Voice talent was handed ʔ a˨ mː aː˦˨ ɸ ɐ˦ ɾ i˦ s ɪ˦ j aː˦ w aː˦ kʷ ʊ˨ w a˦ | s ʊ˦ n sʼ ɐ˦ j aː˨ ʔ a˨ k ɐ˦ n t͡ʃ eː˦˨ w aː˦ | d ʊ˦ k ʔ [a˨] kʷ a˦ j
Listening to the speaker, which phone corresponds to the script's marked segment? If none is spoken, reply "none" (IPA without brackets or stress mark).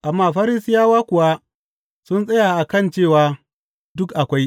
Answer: a˨